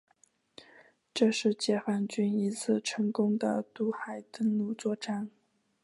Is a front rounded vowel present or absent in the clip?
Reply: present